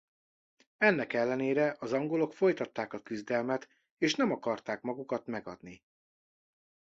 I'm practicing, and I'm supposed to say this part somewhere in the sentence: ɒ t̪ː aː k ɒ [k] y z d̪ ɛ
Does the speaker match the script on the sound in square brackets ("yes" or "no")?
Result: yes